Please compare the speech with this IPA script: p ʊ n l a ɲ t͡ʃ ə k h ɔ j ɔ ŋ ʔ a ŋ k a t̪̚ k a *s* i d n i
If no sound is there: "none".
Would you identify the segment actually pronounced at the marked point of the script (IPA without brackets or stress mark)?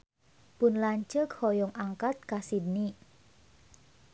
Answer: s